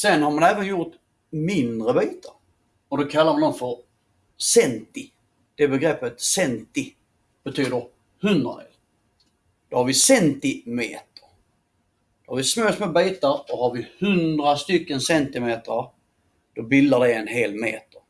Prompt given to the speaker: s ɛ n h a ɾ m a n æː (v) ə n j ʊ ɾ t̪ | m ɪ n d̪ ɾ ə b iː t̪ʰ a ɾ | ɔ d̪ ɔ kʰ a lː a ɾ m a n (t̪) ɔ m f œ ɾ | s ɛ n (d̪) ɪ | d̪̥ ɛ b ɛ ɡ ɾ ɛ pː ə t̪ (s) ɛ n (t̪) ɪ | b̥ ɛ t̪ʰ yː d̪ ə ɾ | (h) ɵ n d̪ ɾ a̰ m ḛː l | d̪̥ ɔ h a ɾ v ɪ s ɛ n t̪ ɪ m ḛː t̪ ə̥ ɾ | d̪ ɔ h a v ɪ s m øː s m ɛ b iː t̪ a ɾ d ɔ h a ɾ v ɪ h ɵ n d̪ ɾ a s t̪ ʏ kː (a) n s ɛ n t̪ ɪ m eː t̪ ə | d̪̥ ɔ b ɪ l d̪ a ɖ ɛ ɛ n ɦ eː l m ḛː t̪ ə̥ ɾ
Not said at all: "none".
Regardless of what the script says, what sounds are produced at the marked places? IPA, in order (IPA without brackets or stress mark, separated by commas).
v, d̪, t̪, s, t̪, h, ə